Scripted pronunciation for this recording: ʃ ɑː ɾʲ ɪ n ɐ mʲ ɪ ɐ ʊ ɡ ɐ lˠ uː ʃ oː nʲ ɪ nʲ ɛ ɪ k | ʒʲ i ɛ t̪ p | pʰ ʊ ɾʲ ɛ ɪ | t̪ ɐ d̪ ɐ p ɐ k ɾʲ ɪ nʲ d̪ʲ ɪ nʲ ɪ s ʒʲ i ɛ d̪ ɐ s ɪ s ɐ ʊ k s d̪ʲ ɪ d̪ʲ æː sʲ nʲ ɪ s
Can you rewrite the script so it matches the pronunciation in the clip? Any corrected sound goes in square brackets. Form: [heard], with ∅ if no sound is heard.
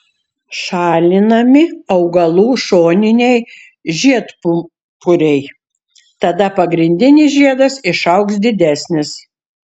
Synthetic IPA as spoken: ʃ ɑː [lʲ] ɪ n ɐ mʲ ɪ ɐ ʊ ɡ ɐ lˠ uː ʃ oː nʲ ɪ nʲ ɛ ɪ [∅] | ʒʲ i ɛ t̪ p | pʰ ʊ ɾʲ ɛ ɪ | t̪ ɐ d̪ ɐ p ɐ [ɡ] ɾʲ ɪ nʲ d̪ʲ ɪ nʲ ɪ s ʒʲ i ɛ d̪ ɐ s ɪ [ʃ] ɐ ʊ k s d̪ʲ ɪ d̪ʲ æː sʲ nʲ ɪ s